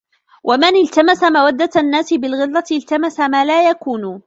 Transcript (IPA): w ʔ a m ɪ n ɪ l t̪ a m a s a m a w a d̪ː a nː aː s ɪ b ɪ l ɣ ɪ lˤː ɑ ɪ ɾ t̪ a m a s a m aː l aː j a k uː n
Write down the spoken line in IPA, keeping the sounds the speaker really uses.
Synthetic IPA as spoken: w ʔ a m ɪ n ɪ l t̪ a m a s a m a w a d̪ː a nː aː s ɪ b ɪ l ɣ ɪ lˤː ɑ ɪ l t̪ a m a s a m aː l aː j a k uː n

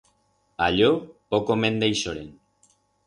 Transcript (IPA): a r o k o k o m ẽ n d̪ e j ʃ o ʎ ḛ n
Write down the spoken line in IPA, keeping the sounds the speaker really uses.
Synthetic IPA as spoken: a ʎ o p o k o m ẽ n d̪ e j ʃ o ɾ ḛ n

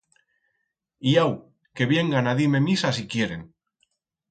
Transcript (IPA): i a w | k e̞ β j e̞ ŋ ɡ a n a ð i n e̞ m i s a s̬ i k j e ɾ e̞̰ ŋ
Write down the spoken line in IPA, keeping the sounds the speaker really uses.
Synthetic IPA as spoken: i a w | k e̞ β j e̞ ŋ ɡ a n a ð i m e̞ m i s a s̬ i k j e ɾ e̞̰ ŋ

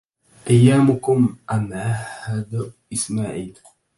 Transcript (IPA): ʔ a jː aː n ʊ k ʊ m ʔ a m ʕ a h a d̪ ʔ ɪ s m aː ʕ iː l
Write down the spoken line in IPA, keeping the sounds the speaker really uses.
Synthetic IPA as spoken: ʔ a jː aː m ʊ k ʊ m ʔ a m ʕ a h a d̪ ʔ ɪ s m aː ʕ iː l

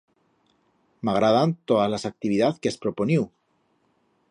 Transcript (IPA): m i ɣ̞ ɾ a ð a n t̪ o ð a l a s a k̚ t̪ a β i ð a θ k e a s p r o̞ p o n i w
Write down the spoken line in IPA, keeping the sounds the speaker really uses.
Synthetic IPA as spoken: m a ɣ̞ ɾ a ð a n t̪ o ð a l a s a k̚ t̪ i β i ð a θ k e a s p ɾ o̞ p o n i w

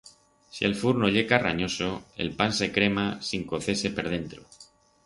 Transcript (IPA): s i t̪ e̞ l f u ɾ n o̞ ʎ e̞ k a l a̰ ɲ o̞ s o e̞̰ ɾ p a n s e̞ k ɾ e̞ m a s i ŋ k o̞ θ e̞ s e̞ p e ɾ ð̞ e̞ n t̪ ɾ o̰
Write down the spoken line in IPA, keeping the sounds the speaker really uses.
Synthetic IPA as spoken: s i e̞ l f u ɾ n o̞ ʎ e̞ k a r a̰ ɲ o̞ s o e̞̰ l p a n s e̞ k ɾ e̞ m a s i ŋ k o̞ θ e̞ s e̞ p e ɾ ð̞ e̞ n t̪ ɾ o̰

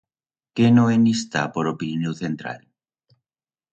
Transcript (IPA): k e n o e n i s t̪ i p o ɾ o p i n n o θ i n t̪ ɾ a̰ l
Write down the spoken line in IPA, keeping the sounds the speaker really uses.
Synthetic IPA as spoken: k e n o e n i s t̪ a p o ɾ o p i n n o θ e n t̪ ɾ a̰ l

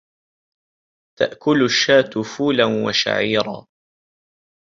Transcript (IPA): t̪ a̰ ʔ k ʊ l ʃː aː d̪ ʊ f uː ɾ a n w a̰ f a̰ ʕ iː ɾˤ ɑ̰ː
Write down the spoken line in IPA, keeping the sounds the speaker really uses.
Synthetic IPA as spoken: t̪ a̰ ʔ k ʊ l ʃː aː t̪ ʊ f uː l a n w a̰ ʃ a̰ ʕ iː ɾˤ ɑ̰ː

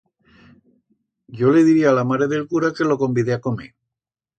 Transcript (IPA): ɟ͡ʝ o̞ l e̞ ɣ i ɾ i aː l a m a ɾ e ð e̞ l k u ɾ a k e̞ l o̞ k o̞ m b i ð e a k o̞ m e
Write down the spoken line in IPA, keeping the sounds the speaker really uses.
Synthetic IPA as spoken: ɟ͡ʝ o̞ l e̞ ð i ɾ i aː l a m a ɾ e ð e̞ l k u ɾ a k e̞ l o̞ k o̞ m b i ð e a k o̞ m e

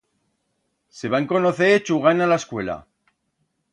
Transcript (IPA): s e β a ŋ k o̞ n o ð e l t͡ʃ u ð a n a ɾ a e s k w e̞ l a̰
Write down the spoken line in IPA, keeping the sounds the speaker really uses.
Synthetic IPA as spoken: s e β a ŋ k o̞ n o θ e t͡ʃ u ɣ a n a l a e s k w e̞ l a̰

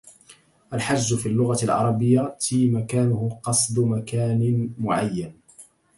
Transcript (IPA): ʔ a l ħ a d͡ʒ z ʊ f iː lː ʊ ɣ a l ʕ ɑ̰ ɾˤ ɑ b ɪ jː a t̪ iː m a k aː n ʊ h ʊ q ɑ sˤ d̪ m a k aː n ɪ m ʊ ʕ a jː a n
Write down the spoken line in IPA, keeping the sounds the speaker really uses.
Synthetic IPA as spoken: ʔ a l ħ a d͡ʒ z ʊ f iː lː ʊ ɣ a l ʕ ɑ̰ ɾˤ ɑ b ɪ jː a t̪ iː m a k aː n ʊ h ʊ q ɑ sˤ d̪ m a k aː n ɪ m ʊ ʕ a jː a n

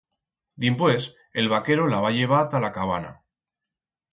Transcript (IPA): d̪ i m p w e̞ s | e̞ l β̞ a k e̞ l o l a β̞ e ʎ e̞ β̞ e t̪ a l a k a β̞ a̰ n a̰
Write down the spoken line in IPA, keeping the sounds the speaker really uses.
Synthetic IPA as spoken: d̪ i m p w e̞ s | e̞ l β̞ a k e̞ ɾ o l a β̞ a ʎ e̞ β̞ a t̪ a l a k a β̞ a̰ n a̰

